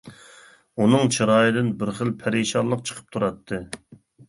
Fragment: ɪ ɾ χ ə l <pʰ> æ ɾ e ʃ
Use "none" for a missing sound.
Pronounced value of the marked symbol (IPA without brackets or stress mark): pʰ